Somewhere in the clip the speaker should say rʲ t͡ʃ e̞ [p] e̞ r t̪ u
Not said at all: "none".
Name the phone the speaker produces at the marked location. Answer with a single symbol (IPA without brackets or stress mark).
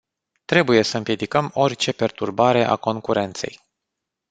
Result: p